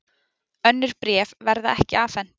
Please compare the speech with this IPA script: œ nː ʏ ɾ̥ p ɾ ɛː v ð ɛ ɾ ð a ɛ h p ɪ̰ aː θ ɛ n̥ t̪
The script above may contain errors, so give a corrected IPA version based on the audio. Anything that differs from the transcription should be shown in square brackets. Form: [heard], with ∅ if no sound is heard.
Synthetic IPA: œ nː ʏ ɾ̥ p ɾ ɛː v [v] ɛ ɾ ð a ɛ h [c] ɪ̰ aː [f] ɛ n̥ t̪